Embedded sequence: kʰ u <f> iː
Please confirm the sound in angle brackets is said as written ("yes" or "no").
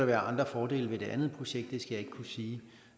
no